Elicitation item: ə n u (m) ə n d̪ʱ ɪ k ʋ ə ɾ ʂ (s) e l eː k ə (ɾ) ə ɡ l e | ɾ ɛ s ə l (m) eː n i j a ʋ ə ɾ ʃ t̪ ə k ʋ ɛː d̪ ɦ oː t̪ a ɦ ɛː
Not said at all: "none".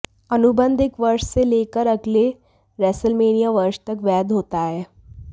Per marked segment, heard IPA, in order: b, s, ɾ, m

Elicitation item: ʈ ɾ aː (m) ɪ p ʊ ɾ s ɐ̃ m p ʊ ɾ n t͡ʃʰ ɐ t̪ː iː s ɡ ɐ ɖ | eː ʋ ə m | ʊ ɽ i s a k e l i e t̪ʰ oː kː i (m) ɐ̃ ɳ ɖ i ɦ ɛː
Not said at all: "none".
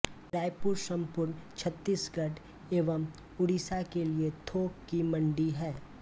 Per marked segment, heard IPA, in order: none, m

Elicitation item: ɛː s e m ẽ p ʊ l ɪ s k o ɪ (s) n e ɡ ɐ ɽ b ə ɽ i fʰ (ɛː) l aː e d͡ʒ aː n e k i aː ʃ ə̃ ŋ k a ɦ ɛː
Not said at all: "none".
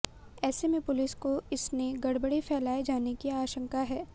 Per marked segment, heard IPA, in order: s, ɛː

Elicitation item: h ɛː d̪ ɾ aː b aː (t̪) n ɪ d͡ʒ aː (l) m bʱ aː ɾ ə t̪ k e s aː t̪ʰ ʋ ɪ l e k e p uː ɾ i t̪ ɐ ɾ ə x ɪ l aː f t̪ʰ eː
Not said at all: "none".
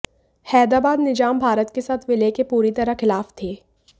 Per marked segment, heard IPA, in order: d̪, none

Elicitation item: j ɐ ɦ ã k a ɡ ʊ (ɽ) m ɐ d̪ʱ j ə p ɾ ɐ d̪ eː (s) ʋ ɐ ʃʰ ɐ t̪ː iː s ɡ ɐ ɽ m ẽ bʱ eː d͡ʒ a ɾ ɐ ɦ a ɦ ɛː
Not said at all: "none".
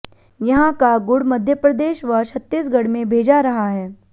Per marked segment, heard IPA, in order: ɽ, ʃ

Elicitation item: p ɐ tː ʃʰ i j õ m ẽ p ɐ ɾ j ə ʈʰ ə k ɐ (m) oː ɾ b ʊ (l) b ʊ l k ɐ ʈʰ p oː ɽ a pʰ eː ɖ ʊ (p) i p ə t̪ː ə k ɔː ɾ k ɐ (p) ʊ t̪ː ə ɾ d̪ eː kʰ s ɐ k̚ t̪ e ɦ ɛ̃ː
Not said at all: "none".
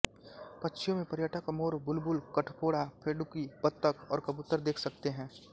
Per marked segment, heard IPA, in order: m, l, k, b

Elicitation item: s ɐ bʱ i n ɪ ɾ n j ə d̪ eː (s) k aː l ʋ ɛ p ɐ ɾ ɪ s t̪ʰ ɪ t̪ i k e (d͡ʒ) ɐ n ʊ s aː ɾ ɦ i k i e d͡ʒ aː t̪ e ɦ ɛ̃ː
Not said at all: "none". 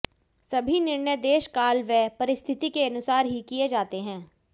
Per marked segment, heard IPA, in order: ʃ, none

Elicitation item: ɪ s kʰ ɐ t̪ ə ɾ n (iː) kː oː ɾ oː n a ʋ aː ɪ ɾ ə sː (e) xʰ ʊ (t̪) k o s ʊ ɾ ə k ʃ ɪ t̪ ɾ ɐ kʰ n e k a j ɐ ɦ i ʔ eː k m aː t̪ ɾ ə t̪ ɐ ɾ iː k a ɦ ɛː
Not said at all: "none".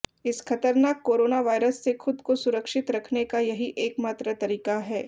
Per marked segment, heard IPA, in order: aː, e, d̪

